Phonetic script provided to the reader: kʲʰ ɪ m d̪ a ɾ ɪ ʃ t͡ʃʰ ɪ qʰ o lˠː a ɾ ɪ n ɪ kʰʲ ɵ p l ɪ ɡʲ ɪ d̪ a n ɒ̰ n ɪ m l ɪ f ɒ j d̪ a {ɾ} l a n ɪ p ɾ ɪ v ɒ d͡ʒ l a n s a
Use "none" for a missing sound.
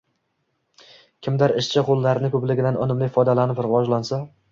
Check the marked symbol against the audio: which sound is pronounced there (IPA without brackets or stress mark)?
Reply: none